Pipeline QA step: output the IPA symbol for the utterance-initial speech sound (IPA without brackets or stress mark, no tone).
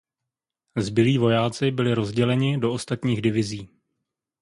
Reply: z